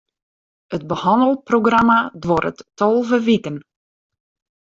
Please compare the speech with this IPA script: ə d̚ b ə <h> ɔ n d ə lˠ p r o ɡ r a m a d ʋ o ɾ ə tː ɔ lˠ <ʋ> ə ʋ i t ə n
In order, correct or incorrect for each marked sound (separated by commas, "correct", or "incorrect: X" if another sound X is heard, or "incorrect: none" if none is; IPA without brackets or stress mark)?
correct, incorrect: v